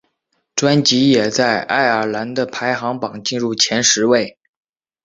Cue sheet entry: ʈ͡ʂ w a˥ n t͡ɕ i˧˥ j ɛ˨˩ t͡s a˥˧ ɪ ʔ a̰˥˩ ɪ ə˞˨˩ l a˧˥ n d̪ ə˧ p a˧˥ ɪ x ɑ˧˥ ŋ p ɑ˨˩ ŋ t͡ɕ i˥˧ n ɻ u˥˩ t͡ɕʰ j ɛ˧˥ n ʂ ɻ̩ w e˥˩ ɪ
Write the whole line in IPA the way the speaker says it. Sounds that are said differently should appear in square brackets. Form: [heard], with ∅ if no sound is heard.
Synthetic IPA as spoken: ʈ͡ʂ w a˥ n t͡ɕ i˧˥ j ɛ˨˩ t͡s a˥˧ ɪ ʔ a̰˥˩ ɪ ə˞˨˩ l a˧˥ n d̪ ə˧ [pʰ] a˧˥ ɪ x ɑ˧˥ ŋ p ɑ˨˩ ŋ t͡ɕ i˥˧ n ɻ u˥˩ t͡ɕʰ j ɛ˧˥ n ʂ ɻ̩ w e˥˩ ɪ